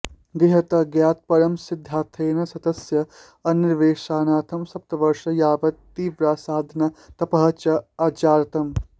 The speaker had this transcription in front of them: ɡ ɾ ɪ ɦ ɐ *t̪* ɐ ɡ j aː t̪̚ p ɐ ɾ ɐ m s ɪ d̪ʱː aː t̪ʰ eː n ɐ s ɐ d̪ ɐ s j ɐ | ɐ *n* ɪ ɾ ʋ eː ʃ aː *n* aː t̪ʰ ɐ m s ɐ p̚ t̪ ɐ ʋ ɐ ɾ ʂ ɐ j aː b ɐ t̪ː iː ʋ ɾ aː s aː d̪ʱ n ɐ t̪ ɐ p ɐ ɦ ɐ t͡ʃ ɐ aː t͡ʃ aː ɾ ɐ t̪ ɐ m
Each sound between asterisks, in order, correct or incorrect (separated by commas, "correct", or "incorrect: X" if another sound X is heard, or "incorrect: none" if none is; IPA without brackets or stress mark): correct, correct, correct